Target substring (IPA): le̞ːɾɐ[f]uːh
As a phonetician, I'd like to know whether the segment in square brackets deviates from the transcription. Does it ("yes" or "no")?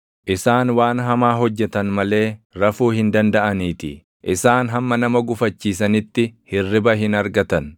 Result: no